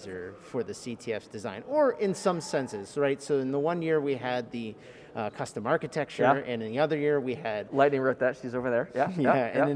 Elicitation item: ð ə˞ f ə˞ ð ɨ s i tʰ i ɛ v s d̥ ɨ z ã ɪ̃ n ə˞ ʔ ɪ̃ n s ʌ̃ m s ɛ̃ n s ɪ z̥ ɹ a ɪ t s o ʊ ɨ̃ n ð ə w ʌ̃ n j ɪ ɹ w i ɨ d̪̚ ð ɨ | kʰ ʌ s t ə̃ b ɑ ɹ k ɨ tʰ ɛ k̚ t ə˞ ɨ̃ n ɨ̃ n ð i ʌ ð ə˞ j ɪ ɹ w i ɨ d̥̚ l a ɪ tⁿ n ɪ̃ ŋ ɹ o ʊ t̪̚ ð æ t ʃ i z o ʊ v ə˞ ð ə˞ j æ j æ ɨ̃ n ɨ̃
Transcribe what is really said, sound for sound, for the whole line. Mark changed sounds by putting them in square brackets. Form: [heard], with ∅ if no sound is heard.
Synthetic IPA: [z] ə˞ f ə˞ ð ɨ s i tʰ i ɛ [f] s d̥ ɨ z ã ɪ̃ n ə˞ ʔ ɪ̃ n s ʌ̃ m s ɛ̃ n s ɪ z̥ ɹ a ɪ t s o ʊ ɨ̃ n ð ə w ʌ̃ n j ɪ ɹ w i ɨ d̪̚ ð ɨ | kʰ ʌ s t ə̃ [m] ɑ ɹ k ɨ tʰ ɛ k̚ [t͡ʃ] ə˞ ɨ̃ n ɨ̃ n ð i ʌ ð ə˞ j ɪ ɹ w i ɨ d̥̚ l a ɪ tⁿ n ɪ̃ ŋ ɹ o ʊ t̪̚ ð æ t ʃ i z o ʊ v ə˞ ð ə˞ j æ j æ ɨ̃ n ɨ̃